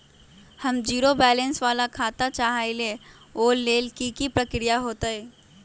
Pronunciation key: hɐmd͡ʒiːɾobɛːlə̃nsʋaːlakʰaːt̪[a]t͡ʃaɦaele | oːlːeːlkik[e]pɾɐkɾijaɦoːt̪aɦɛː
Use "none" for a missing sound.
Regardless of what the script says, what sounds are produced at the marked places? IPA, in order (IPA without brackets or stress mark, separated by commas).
a, i